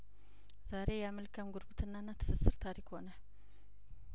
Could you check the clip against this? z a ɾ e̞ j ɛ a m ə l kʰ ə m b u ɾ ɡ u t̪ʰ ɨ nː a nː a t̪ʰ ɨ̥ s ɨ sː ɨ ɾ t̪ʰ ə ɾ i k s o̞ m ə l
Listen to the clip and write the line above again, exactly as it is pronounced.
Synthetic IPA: z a ɾ e̞ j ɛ a m ə l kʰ ə m ɡ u ɾ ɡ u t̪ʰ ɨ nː a nː a t̪ʰ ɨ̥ s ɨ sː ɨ ɾ t̪ʰ a ɾ i k h o̞ n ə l